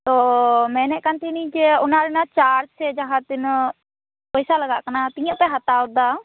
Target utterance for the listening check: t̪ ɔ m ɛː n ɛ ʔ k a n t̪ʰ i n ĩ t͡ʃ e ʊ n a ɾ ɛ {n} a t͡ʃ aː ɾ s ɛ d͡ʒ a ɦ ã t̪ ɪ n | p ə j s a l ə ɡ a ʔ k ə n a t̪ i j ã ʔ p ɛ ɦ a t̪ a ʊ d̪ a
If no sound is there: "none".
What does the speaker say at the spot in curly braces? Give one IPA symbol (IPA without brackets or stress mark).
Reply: n